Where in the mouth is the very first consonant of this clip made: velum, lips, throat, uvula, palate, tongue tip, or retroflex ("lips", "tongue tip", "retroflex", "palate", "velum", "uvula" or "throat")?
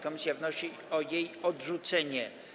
velum